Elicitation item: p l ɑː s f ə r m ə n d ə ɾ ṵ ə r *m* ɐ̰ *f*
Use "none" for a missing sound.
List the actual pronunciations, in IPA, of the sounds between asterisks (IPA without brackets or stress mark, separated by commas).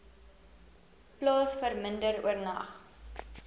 n, χ